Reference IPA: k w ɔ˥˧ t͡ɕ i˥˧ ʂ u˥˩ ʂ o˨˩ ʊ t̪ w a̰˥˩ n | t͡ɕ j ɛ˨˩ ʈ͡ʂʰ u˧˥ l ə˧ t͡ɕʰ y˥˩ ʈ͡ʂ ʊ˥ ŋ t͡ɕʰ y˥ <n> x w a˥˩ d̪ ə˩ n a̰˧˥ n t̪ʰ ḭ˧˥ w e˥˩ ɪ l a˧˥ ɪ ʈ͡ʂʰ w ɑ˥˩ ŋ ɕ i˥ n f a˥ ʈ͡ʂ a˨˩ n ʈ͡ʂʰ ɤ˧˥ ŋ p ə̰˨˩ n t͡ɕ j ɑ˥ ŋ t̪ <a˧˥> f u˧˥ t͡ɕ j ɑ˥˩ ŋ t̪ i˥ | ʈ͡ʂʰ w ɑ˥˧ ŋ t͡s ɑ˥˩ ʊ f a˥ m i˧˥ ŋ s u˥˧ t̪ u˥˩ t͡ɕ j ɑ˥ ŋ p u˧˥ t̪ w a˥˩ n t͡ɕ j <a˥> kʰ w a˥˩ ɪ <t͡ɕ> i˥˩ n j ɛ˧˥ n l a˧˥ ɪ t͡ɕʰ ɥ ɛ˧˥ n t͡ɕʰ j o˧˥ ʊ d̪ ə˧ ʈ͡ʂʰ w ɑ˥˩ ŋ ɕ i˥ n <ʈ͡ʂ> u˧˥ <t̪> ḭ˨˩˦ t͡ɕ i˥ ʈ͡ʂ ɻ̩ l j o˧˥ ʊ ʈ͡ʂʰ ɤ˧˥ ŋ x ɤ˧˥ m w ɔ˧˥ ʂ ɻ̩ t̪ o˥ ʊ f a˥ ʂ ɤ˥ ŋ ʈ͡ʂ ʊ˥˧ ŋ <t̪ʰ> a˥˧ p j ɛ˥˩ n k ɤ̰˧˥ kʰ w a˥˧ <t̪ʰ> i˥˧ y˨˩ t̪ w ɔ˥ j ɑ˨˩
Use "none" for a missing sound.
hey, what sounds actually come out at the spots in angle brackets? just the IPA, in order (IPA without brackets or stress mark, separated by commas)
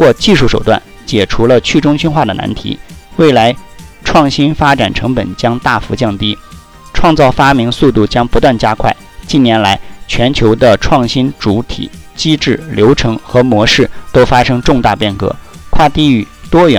n, a˥˩, a˥, t͡ɕ, ʈ͡ʂ, t̪ʰ, t̪, t̪